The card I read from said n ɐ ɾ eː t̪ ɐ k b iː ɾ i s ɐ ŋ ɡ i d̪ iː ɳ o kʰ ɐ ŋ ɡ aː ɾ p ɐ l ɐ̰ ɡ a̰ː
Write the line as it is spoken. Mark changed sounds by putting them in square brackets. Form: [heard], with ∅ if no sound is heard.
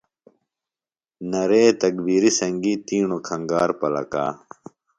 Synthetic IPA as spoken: n ɐ ɾ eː t̪ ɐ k b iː ɾ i s ɐ ŋ ɡ i [t̪] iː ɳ o kʰ ɐ ŋ ɡ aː ɾ p ɐ l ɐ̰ [k] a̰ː